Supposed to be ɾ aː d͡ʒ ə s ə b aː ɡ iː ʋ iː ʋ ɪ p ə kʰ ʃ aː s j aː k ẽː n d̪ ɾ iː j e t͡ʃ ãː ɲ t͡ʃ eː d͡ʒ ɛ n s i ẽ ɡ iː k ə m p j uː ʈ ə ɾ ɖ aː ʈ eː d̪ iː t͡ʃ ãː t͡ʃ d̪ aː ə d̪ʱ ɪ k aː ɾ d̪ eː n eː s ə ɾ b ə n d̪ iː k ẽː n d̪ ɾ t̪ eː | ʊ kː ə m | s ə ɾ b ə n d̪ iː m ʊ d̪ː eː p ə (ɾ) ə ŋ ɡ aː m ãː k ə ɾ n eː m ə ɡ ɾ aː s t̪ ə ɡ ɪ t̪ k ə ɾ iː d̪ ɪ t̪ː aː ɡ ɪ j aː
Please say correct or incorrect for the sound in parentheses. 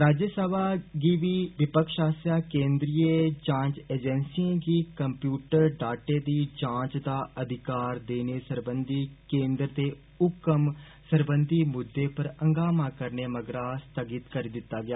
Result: correct